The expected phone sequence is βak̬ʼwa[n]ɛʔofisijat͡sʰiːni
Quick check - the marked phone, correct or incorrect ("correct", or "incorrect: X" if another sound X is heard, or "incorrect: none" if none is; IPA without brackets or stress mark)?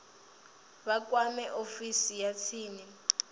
incorrect: m